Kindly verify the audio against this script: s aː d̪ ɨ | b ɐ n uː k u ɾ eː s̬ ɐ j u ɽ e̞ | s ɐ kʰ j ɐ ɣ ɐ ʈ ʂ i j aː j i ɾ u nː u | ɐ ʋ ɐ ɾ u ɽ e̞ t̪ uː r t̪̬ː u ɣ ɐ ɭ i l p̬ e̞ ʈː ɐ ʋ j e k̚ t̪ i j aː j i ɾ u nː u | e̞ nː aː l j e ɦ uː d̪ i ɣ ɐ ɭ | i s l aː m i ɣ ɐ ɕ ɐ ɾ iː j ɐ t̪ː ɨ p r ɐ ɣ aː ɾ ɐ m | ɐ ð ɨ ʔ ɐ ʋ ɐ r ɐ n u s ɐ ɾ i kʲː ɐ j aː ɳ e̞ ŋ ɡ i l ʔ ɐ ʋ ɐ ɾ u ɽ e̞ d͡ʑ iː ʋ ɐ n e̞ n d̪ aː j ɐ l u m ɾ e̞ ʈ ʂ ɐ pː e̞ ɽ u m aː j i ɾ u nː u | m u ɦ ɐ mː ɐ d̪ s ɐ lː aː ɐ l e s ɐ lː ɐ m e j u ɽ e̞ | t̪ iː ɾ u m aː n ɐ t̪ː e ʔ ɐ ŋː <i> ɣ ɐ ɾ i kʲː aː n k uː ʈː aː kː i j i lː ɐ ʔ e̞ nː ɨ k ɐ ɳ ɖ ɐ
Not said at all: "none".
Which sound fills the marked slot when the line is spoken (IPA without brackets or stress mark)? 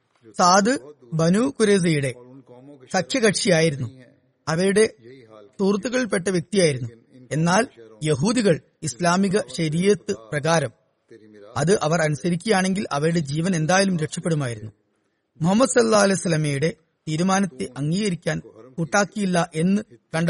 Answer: iː